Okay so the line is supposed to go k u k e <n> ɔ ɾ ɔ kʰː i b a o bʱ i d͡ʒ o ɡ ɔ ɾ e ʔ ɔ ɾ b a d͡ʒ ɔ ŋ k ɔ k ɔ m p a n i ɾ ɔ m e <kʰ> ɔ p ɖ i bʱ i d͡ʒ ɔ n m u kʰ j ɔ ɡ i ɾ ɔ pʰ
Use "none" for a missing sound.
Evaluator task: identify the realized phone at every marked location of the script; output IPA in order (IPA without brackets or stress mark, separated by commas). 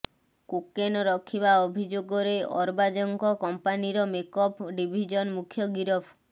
n, k